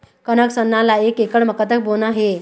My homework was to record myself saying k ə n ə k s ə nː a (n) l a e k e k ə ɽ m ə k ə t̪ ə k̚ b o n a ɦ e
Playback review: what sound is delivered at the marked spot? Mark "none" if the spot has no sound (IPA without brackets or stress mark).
none